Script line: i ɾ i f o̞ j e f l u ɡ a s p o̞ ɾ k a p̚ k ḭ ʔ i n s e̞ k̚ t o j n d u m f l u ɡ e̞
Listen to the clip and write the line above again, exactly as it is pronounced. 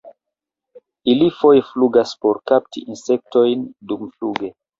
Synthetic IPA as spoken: i l i f o̞ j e f l u ɡ a s p o̞ ɾ k a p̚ t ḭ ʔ i n s e̞ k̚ t o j n d u m f l u ɡ e̞